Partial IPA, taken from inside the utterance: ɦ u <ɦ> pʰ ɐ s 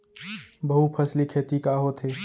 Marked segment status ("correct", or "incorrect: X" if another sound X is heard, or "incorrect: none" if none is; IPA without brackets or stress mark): incorrect: none